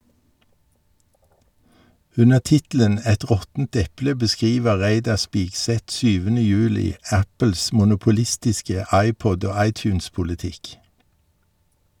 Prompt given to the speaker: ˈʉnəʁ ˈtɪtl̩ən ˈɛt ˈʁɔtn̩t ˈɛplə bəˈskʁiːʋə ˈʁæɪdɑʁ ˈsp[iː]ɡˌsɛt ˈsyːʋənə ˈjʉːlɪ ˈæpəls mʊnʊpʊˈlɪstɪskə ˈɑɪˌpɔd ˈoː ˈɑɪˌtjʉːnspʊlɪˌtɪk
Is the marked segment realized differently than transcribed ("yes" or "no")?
no